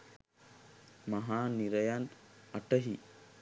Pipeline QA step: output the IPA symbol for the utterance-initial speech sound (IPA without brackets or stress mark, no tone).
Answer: m